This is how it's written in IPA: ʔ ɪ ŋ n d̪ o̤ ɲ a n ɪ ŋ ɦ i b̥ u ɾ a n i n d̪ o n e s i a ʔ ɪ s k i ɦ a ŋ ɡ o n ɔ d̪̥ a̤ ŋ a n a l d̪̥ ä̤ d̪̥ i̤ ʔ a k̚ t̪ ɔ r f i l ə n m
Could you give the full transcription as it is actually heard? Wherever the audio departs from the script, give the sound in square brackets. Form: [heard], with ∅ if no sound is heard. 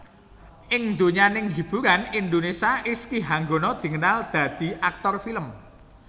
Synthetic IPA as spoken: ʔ ɪ ŋ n d̪ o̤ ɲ a n ɪ ŋ ɦ i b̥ u ɾ a n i n d̪ o n e s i a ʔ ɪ s k i ɦ a ŋ ɡ o n ɔ d̪̥ [i̤] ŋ [ə] n a l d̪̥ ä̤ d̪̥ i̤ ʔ a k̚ t̪ ɔ r f i l ə [∅] m